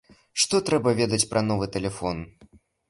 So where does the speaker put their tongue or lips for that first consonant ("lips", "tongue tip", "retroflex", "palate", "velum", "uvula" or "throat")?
retroflex